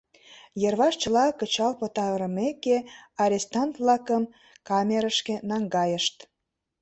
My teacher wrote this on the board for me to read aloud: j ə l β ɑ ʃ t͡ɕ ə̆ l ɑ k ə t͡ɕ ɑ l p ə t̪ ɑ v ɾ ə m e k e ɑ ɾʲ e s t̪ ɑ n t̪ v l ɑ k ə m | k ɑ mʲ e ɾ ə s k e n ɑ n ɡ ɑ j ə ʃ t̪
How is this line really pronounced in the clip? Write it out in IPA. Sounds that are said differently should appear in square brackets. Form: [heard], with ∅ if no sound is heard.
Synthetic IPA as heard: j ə [r] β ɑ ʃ t͡ɕ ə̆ l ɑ k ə t͡ɕ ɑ l p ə t̪ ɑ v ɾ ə m e k e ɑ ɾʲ e s t̪ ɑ n t̪ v l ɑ k ə m | k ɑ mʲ e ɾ ə [ʃ] k e n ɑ [ŋ] ɡ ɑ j ə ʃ t̪

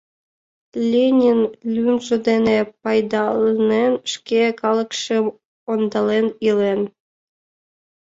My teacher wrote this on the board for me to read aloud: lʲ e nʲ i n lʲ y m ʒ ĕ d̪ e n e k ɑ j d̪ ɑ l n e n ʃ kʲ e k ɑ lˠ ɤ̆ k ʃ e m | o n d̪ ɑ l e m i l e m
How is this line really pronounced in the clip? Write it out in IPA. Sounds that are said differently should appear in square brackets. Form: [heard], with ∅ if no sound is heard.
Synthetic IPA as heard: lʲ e nʲ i n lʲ y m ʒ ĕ d̪ e n e [p] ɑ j d̪ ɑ l n e n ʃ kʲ e k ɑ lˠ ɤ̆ k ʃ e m | o n d̪ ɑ l e [n] i l e [n]

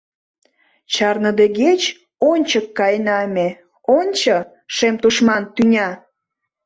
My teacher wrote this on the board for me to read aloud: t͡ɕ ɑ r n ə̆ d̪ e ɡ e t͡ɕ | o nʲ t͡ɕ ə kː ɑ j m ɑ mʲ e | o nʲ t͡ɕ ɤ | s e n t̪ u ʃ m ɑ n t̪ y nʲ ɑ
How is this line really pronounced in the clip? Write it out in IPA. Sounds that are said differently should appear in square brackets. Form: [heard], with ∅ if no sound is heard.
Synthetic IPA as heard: t͡ɕ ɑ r n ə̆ d̪ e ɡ e t͡ɕ | o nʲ t͡ɕ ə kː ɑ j [n] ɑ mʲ e | o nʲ t͡ɕ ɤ | [ʃ] e [m] t̪ u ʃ m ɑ n t̪ y nʲ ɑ

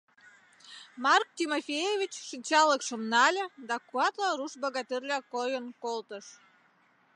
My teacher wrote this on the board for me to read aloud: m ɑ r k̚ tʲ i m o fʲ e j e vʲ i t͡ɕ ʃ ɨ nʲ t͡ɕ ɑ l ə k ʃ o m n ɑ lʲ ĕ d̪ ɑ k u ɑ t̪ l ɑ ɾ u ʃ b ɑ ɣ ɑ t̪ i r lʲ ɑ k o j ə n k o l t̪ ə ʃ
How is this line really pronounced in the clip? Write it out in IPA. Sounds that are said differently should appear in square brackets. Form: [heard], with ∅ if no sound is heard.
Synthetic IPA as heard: m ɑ r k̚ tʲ i m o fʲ e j e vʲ i t͡ɕ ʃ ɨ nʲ t͡ɕ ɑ l ə k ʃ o m n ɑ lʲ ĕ d̪ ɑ k u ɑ t̪ l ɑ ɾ u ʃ b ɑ ɣ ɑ t̪ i r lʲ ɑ k o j ə n k o l t̪ ə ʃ

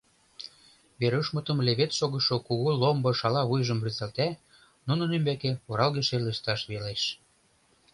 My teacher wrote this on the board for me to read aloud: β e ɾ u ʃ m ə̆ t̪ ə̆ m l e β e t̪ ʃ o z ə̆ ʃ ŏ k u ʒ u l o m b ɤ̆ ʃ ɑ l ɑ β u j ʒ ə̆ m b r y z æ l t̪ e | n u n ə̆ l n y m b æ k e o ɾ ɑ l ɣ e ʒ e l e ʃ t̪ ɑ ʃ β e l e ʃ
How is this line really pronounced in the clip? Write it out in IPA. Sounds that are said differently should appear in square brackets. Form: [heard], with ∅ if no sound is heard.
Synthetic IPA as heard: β e ɾ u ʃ m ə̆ t̪ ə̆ m l e β e t̪ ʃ o [ɣ] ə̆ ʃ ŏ k u [ɣ] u l o m b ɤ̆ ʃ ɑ l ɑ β u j ʒ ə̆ m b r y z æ l t̪ [æ] | n u n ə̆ [∅] n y m b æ k e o ɾ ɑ l ɣ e [ʃ] e l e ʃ t̪ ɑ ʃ β e l e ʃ

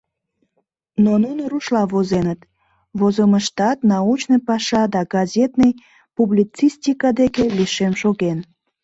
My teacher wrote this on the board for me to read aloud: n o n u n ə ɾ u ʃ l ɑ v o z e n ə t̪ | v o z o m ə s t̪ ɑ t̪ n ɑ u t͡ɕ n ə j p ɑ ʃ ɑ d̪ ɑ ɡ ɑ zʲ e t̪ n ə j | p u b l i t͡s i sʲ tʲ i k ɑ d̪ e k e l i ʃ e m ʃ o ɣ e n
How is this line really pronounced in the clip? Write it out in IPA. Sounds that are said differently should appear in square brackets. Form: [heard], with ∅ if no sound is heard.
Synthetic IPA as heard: n o n u n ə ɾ u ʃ l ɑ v o z e n ə t̪ | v o z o m ə [ʃ] t̪ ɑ t̪ n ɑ u t͡ɕ n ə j p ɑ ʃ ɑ d̪ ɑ ɡ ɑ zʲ e t̪ n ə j | p u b l i t͡s i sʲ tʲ i k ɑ d̪ e k e l i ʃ e m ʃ o ɣ e n

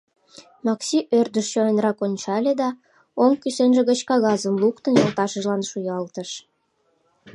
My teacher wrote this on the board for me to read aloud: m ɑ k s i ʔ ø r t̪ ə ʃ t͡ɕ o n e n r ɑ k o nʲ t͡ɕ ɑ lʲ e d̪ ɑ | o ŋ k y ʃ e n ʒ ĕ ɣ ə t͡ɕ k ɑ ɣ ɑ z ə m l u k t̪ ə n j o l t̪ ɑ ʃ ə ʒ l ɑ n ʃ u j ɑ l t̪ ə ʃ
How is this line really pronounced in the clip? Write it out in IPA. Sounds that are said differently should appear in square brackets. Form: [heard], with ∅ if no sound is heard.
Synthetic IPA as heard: m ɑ k s i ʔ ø r [d̪] ə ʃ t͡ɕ o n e n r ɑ k o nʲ t͡ɕ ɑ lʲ e d̪ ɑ | o ŋ k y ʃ e n ʒ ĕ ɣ ə t͡ɕ k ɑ ɣ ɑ z ə m l u k t̪ ə n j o l t̪ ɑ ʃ ə ʒ l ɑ n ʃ u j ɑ l t̪ ə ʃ

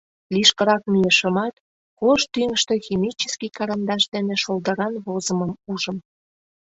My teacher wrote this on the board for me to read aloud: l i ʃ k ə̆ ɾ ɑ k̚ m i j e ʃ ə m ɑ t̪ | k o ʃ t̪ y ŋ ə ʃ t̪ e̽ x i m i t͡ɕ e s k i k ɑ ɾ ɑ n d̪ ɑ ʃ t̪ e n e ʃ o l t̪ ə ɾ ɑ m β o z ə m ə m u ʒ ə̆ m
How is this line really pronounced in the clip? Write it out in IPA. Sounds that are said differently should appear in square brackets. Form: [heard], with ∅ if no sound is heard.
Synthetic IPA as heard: l i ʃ k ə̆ ɾ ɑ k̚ m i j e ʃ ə m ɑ t̪ | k o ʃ t̪ y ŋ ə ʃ t̪ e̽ x i m i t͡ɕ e s k i k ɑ ɾ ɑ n d̪ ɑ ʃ [d̪] e n e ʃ o l [d̪] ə ɾ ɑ [n] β o z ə m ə m u ʒ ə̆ m

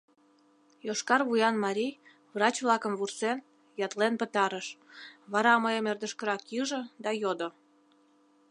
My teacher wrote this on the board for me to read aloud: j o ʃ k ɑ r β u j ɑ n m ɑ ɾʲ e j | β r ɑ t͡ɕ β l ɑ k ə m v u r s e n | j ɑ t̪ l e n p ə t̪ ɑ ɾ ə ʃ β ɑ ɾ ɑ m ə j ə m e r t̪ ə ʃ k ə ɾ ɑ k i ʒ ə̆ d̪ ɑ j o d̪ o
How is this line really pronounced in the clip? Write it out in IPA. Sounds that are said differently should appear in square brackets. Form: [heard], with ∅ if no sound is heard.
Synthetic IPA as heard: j o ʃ k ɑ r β u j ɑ n m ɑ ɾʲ [i] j | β r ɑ t͡ɕ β l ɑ k ə m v u r s e n | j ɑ t̪ l e n p ə t̪ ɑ ɾ ə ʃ β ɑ ɾ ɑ m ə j ə m e r [d̪] ə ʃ k ə ɾ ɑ k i ʒ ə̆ d̪ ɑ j o d̪ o

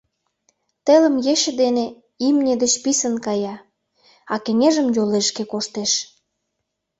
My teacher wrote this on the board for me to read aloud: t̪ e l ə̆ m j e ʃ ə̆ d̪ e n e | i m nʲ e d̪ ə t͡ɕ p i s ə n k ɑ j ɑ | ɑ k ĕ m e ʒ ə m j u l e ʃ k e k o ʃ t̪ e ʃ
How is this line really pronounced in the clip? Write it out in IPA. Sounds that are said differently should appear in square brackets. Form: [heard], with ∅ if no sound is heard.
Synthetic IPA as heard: t̪ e l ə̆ m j e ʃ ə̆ d̪ e n e | i m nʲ e d̪ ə t͡ɕ p i s ə n k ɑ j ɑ | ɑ k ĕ [ŋ] e ʒ ə m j [o] l e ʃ k e k o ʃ t̪ e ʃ

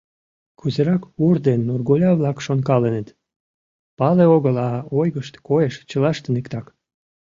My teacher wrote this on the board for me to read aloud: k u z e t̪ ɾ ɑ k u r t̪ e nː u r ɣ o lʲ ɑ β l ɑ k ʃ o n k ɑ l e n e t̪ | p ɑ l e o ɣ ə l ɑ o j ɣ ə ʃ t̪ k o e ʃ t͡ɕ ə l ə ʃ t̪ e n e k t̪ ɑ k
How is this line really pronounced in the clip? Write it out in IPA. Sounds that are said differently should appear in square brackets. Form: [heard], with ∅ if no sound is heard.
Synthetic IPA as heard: k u z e [∅] ɾ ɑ k u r [d̪] e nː u r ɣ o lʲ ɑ β l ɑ k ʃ o n k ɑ l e n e t̪ | p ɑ l e o ɣ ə l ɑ o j ɣ ə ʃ t̪ k o e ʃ t͡ɕ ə l [ɑ] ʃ t̪ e n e k t̪ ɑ k

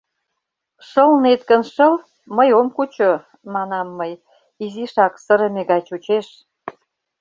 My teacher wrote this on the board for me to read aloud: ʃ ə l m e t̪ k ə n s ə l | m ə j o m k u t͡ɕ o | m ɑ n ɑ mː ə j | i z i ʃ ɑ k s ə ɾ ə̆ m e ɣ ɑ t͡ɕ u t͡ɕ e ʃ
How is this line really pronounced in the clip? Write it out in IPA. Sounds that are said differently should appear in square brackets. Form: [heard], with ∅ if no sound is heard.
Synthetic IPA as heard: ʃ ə l [n] e t̪ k ə n [ʃ] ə l | m ə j o m k u t͡ɕ o | m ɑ n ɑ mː ə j | i z i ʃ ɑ k s ə ɾ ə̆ m e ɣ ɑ t͡ɕ u t͡ɕ e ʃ

